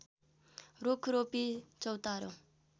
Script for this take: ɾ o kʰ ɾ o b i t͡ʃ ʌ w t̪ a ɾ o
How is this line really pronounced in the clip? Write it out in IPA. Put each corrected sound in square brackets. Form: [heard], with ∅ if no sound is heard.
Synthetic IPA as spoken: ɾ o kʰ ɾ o [p] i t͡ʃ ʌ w t̪ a ɾ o